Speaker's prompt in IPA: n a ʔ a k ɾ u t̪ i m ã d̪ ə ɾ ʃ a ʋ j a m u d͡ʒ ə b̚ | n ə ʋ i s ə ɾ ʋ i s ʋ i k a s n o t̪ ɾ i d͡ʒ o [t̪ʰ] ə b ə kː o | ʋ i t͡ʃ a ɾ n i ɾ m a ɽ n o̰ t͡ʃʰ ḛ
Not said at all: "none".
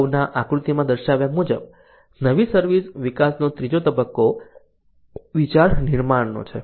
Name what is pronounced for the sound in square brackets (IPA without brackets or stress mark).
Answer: t̪